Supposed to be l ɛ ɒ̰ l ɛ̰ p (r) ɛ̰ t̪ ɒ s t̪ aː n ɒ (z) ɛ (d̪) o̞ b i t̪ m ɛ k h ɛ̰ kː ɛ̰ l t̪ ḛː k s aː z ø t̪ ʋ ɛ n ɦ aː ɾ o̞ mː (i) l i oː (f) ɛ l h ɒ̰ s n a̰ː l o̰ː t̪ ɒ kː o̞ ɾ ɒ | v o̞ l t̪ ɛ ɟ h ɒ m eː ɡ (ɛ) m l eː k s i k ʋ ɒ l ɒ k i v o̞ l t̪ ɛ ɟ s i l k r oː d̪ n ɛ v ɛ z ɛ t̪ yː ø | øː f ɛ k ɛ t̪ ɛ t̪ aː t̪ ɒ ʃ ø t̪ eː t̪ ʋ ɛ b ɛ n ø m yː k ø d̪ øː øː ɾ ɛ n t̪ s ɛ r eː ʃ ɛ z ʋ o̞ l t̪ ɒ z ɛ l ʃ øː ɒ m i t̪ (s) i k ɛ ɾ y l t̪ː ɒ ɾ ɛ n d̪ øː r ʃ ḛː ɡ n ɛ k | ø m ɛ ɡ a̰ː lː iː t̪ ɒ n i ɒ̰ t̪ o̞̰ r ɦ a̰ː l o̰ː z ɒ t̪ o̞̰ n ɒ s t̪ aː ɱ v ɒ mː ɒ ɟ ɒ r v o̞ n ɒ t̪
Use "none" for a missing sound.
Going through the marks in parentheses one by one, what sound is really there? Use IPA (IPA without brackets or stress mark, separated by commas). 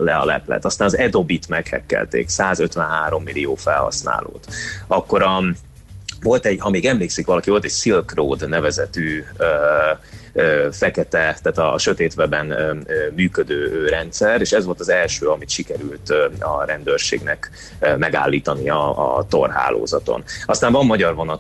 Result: l, z, d̪, i, f, ɛ, ʃ